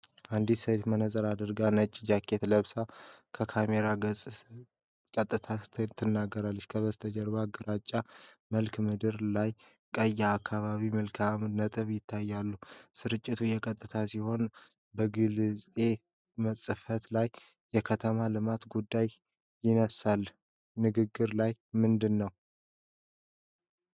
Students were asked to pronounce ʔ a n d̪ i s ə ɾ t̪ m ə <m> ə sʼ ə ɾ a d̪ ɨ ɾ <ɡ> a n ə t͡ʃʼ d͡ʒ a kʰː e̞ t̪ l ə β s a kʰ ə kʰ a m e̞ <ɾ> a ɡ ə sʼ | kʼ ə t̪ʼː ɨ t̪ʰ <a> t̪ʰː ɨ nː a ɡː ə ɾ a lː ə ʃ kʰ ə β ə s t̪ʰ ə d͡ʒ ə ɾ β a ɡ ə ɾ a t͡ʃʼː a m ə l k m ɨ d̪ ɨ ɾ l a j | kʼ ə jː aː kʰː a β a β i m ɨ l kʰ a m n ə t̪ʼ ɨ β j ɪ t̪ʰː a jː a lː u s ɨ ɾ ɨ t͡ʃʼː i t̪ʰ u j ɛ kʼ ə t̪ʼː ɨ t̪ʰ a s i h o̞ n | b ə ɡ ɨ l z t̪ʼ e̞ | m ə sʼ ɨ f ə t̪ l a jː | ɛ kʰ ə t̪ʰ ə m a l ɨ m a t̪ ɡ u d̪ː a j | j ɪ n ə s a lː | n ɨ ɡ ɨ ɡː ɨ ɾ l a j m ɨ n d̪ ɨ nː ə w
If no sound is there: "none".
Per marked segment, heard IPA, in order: n, ɡ, ɾ, a

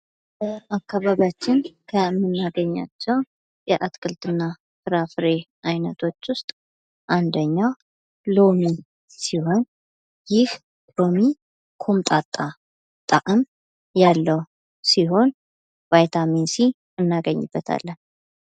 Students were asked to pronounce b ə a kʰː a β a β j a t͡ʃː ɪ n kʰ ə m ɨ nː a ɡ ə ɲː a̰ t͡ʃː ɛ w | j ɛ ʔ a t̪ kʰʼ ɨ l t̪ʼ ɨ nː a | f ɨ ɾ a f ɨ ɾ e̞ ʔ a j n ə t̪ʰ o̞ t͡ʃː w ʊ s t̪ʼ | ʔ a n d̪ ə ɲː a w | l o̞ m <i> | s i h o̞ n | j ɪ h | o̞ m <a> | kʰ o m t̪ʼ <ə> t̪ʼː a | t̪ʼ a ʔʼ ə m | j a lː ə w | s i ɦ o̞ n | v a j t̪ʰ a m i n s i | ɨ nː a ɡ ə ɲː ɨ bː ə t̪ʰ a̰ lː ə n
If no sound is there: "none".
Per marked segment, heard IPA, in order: i, i, a

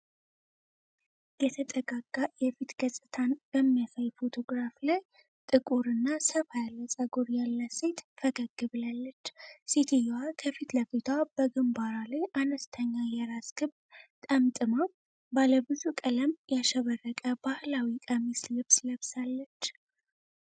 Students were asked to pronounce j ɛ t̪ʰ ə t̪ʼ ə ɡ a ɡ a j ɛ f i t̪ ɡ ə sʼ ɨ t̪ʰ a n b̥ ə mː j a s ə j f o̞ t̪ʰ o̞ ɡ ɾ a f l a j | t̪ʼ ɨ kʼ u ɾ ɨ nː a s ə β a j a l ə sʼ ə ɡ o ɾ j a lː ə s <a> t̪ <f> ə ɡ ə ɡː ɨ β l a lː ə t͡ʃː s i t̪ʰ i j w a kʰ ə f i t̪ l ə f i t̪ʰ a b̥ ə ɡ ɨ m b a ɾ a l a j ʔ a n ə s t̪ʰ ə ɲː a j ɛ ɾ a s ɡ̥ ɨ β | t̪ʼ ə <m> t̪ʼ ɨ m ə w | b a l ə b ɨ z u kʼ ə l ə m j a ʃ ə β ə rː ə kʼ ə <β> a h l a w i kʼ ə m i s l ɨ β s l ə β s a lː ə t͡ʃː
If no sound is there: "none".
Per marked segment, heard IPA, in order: e, f, m, b

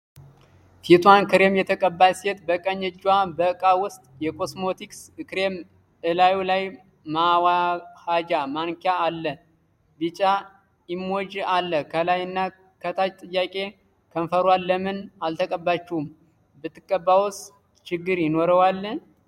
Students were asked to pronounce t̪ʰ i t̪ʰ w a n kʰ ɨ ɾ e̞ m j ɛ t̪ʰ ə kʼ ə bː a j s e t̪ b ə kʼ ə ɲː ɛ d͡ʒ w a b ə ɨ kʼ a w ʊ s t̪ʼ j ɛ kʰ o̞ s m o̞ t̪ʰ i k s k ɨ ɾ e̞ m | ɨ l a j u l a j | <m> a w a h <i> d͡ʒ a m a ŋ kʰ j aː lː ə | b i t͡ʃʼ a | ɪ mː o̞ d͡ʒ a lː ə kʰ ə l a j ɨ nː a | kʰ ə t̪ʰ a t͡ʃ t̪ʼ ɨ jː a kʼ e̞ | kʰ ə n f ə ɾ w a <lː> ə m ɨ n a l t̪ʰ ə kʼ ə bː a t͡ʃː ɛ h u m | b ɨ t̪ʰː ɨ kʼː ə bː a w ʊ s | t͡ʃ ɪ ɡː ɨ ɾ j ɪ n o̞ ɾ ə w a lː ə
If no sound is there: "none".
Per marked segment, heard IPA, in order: m, a, lː

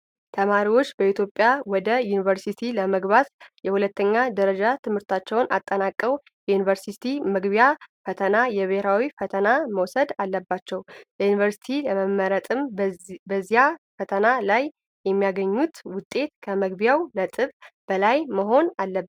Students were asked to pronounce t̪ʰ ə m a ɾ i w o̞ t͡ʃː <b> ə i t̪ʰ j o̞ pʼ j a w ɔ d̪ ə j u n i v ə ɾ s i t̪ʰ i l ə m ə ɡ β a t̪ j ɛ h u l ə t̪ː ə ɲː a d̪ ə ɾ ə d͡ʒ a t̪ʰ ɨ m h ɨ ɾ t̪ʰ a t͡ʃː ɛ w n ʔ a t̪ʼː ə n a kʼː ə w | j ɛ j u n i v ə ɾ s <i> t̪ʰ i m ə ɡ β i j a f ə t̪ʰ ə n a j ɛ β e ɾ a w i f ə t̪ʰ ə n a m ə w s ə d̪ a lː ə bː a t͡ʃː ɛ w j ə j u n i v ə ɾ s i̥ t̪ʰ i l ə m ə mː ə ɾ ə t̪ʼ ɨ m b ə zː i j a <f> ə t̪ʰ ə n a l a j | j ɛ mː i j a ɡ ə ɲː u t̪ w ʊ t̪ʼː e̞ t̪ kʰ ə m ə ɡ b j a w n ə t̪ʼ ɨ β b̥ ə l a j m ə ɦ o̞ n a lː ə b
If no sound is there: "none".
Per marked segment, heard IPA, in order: b, i, f

